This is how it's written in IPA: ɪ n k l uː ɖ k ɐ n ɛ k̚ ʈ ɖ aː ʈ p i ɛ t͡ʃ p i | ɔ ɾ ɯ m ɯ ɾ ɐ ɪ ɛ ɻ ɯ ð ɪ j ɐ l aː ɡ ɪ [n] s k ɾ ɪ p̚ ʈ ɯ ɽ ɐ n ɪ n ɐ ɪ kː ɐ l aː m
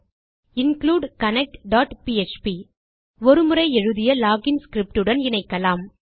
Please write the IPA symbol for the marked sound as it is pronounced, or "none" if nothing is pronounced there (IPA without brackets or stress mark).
n